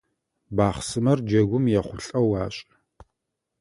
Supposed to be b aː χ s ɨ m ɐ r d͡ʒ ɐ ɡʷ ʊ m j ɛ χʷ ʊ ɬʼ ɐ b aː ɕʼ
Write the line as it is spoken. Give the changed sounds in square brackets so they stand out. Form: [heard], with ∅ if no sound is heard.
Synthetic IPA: b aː χ s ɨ m ɐ r d͡ʒ ɐ ɡʷ ʊ m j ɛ χʷ ʊ ɬʼ ɐ [w] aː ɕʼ